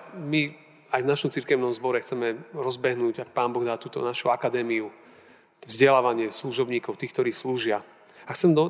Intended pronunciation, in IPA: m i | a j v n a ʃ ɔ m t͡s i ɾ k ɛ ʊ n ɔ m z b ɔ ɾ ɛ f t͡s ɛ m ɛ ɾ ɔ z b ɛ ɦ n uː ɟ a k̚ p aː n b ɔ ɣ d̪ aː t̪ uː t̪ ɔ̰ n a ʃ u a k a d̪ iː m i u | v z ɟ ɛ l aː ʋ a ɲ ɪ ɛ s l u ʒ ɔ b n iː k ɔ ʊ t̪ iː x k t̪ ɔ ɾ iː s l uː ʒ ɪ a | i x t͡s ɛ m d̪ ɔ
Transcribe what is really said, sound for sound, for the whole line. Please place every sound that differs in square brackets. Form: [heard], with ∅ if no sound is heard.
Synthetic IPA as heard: m i | a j v n a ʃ ɔ m t͡s i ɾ k ɛ ʊ n ɔ m z b ɔ ɾ ɛ [x] t͡s ɛ m ɛ ɾ ɔ z b ɛ ɦ n uː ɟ a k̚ p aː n b ɔ ɣ d̪ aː t̪ uː t̪ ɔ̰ n a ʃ u a k a d̪ [ɛː] m i u | v z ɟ ɛ l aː ʋ a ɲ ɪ ɛ s l u ʒ ɔ b [ɲ] iː k ɔ ʊ t̪ iː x k t̪ ɔ ɾ iː s l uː ʒ ɪ a | [a] x t͡s ɛ m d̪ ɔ